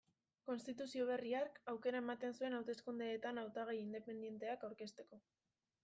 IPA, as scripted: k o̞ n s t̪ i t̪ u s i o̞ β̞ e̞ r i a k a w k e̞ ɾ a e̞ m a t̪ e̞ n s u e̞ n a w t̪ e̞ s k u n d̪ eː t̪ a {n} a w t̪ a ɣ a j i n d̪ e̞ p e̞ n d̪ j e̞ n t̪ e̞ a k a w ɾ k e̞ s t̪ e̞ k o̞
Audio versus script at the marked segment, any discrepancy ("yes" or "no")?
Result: no